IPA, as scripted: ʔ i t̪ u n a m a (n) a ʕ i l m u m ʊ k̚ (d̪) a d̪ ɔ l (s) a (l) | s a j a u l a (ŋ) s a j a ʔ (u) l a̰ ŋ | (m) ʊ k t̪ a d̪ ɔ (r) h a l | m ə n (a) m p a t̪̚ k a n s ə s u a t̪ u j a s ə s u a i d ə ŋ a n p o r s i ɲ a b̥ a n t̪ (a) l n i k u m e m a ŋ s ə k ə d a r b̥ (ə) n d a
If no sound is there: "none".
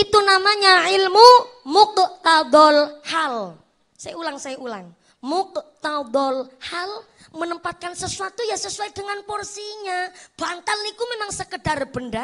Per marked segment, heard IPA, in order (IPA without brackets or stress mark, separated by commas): ɲ, t̪, h, l, ŋ, u, m, l, ə, a, ə